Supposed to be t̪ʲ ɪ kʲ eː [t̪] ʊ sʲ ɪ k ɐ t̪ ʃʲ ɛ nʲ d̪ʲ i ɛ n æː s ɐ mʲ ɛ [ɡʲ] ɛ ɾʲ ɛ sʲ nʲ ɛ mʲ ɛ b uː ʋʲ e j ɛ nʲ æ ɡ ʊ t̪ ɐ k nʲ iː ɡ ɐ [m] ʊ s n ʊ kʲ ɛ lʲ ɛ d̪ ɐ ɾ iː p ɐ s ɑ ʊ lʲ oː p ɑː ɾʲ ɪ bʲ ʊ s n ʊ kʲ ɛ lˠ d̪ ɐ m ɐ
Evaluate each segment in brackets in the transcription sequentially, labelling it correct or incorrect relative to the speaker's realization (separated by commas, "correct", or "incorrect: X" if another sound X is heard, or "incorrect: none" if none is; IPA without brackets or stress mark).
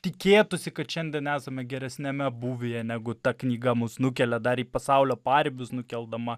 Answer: correct, correct, correct